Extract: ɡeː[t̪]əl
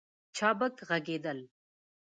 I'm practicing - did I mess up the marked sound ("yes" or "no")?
yes